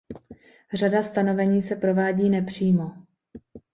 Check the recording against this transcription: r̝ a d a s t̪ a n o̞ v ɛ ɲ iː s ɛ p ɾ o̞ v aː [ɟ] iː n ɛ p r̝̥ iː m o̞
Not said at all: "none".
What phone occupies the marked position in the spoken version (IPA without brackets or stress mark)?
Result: ɟ